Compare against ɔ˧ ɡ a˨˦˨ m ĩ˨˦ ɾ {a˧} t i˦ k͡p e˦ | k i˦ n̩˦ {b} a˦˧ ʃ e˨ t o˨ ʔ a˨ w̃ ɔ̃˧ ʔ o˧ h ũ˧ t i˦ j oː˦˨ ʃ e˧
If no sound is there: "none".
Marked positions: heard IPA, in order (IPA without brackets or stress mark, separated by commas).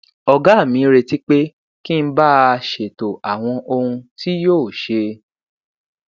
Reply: e˧, b